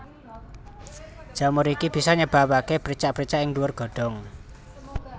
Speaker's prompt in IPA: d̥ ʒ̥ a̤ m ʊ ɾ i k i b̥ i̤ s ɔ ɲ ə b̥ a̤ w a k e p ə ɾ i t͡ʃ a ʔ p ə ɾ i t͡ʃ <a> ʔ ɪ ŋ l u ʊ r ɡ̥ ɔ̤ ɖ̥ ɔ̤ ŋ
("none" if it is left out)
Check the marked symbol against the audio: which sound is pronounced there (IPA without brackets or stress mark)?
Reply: a